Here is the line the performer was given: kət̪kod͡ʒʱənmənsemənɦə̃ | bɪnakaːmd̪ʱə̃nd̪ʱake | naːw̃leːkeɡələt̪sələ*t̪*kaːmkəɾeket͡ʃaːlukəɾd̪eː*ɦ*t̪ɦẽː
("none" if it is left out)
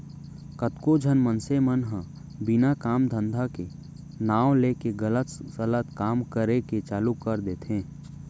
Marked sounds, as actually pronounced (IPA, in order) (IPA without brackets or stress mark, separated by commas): t̪, none